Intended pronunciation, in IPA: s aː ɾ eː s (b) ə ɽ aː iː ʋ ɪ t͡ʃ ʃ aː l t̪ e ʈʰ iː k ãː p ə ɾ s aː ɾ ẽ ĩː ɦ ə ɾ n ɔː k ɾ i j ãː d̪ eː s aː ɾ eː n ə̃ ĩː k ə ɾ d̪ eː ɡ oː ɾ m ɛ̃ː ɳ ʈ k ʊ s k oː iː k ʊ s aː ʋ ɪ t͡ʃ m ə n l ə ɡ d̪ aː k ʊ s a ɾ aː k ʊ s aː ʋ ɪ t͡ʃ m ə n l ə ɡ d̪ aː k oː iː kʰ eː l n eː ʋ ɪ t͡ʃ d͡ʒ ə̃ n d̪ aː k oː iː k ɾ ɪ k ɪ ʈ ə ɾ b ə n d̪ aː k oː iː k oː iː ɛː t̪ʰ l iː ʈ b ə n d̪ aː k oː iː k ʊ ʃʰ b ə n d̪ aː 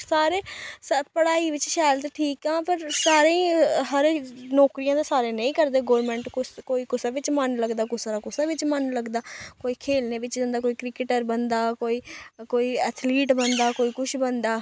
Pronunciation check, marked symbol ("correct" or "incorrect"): incorrect